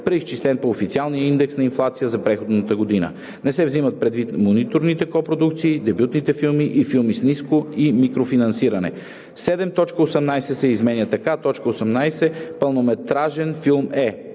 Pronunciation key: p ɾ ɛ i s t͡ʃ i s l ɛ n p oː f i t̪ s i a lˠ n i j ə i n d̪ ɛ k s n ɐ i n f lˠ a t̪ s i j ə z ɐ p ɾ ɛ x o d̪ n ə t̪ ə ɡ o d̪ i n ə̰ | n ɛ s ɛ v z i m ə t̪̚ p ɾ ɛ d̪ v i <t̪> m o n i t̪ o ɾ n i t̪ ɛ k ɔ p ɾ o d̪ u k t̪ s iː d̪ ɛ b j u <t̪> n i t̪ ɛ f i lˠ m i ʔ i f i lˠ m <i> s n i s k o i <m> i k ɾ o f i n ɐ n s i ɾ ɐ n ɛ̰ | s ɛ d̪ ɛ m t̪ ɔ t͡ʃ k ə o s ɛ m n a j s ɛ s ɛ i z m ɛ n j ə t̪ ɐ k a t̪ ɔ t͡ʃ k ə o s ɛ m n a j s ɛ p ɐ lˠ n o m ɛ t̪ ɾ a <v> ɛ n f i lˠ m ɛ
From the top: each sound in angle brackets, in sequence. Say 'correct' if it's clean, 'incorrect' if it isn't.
correct, correct, correct, correct, incorrect: ʒ

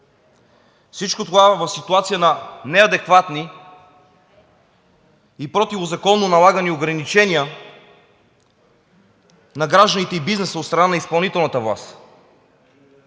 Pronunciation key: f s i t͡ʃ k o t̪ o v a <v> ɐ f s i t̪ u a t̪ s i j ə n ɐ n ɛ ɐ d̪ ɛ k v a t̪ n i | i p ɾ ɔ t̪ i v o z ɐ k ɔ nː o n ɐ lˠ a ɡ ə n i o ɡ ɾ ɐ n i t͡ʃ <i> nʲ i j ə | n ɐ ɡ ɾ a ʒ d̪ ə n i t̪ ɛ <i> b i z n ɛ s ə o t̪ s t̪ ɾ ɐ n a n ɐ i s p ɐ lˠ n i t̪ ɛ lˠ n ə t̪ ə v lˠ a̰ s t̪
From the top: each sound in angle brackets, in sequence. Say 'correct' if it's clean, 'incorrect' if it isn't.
correct, incorrect: ɛ, correct

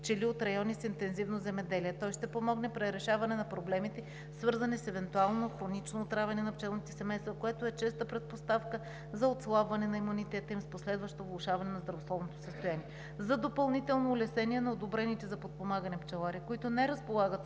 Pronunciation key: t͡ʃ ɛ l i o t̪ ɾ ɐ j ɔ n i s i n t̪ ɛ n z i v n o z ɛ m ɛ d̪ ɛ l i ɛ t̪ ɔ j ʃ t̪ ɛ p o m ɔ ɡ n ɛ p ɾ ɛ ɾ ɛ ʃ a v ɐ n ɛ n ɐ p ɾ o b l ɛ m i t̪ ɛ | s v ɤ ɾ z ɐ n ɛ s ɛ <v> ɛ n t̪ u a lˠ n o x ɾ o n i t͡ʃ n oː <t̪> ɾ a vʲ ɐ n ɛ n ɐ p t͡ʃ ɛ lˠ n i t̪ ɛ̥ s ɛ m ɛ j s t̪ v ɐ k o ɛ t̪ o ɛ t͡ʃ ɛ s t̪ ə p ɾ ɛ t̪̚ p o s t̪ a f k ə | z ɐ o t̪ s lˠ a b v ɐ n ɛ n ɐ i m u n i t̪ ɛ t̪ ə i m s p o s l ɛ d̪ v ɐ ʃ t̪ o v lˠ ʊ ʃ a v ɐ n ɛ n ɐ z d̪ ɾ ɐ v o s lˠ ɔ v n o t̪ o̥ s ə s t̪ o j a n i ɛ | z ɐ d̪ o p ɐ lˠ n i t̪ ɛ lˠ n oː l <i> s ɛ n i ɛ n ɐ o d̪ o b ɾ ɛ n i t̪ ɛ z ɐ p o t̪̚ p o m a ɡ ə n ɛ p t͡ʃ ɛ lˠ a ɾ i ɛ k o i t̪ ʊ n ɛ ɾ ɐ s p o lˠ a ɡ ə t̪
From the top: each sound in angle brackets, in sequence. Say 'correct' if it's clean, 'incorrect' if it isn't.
correct, correct, incorrect: ɛ

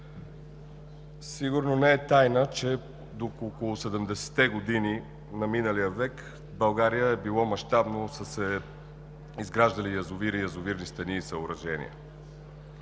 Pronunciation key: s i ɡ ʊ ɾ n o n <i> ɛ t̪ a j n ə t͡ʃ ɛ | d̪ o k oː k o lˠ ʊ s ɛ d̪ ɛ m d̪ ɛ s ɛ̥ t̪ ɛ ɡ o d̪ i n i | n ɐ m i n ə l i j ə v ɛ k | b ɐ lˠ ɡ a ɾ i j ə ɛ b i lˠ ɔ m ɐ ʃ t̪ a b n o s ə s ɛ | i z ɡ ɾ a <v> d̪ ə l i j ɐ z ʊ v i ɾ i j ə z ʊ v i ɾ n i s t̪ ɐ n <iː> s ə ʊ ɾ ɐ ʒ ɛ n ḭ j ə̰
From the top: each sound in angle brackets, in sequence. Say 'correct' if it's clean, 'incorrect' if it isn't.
incorrect: ɛ, incorrect: ʒ, correct

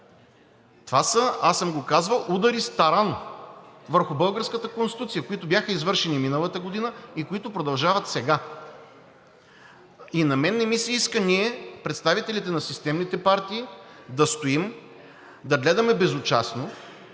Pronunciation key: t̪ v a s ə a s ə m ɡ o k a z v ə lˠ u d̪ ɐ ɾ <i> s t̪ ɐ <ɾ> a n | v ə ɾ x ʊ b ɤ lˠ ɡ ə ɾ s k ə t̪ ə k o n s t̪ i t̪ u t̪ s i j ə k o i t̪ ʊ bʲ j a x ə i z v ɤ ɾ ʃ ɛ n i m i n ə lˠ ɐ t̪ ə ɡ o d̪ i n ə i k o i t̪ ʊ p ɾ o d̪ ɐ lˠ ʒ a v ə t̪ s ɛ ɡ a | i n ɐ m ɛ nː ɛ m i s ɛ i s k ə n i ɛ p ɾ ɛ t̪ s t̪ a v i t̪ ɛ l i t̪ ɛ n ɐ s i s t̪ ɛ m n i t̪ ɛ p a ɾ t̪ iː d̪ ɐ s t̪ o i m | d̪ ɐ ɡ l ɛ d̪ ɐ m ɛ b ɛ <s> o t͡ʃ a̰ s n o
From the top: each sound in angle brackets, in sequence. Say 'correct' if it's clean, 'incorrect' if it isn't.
correct, correct, incorrect: z

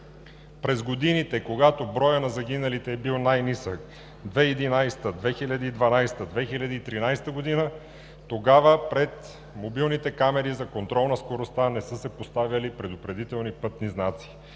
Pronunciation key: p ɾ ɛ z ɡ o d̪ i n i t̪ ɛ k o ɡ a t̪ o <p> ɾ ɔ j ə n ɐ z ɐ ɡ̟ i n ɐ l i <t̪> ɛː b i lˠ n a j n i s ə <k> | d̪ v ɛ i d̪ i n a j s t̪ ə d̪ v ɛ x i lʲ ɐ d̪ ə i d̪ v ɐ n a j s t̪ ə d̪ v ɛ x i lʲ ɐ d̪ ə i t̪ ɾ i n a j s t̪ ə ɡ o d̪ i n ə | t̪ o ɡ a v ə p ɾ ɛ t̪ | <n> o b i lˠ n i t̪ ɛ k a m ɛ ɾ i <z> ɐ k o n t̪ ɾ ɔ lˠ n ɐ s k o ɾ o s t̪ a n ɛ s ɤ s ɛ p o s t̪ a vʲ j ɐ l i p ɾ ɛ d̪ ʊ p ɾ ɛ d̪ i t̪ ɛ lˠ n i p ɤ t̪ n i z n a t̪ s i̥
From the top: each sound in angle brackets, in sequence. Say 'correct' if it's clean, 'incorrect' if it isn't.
incorrect: b, correct, correct, incorrect: m, correct

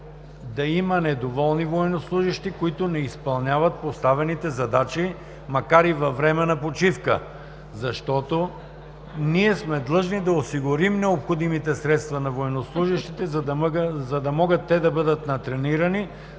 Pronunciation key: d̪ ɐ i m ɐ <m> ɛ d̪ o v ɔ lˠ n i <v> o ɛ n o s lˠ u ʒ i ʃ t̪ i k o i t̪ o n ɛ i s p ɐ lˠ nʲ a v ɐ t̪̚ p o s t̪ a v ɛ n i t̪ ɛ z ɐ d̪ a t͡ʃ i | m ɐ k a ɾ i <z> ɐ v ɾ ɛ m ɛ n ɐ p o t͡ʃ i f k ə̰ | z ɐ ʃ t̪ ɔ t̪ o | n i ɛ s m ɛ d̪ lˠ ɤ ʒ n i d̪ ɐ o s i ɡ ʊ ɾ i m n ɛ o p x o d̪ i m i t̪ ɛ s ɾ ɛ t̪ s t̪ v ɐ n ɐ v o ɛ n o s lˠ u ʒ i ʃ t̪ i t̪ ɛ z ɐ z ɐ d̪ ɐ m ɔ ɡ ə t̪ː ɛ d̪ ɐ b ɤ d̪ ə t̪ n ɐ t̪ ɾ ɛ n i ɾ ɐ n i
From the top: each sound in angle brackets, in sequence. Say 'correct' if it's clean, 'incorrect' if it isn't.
incorrect: n, correct, incorrect: v

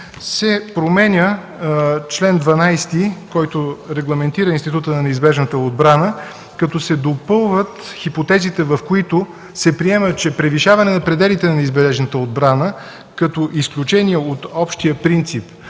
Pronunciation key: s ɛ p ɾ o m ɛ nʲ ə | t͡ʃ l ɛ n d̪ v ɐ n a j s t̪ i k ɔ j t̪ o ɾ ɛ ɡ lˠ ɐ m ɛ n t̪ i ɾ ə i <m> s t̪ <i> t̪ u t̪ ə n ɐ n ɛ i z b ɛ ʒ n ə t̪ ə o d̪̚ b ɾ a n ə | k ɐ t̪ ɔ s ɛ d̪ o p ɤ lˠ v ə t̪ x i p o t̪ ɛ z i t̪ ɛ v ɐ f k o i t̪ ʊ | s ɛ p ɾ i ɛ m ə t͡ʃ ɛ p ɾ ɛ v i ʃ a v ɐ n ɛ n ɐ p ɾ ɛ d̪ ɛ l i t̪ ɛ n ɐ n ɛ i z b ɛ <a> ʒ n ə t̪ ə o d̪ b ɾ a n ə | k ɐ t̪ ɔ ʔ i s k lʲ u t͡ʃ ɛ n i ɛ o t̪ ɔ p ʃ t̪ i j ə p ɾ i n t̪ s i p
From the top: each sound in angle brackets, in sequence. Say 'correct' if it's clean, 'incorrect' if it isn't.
incorrect: n, correct, incorrect: ɛ

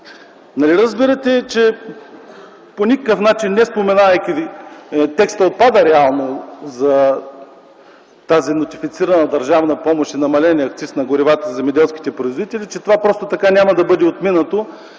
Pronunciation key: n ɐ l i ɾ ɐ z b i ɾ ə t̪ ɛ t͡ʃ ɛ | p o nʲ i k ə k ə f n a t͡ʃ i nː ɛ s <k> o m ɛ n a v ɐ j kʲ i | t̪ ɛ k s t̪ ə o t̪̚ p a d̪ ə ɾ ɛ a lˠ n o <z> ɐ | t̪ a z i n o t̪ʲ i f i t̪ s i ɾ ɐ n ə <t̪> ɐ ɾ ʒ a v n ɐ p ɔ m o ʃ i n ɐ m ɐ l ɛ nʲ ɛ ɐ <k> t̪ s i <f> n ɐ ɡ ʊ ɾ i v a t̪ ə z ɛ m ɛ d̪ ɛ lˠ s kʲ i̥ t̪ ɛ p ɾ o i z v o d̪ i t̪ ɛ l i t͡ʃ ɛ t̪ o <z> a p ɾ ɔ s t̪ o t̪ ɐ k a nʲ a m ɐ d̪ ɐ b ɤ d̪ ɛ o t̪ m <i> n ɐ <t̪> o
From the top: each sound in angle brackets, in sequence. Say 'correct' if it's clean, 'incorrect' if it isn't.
incorrect: p, correct, incorrect: d̪, correct, incorrect: s, incorrect: v, correct, correct

